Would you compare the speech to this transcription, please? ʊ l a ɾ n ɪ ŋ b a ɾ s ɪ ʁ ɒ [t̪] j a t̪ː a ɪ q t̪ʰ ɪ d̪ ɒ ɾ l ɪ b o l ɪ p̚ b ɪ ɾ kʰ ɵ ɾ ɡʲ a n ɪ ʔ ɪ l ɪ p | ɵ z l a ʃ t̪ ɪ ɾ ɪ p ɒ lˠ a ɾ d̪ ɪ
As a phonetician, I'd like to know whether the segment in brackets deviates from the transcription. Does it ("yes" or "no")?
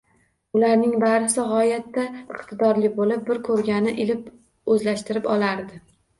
yes